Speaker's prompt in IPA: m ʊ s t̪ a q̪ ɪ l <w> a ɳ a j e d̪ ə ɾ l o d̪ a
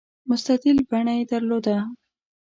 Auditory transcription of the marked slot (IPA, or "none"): b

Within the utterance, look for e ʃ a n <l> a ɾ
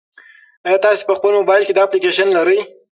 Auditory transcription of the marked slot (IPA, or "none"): l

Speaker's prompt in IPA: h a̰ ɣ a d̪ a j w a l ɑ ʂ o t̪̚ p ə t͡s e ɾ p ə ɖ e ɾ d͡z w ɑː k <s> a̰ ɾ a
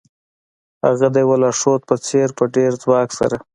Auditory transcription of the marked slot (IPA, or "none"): s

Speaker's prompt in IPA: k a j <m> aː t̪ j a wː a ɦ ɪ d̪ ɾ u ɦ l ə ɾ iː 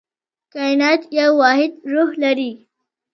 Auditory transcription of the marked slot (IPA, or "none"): n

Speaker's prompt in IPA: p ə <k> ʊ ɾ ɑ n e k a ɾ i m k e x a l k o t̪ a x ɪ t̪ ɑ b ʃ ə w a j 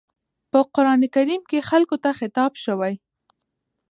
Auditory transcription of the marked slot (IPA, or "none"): q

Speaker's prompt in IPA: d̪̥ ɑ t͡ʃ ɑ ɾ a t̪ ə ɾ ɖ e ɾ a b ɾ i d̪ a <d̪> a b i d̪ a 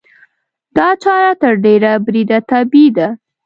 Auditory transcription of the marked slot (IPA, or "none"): t̪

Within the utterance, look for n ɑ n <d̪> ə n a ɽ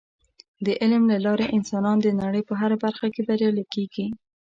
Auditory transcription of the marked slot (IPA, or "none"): d̪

